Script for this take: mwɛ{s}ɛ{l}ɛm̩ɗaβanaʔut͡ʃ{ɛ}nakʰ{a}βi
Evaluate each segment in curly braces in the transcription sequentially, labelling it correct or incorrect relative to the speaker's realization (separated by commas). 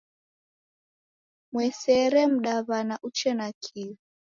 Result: correct, incorrect, correct, incorrect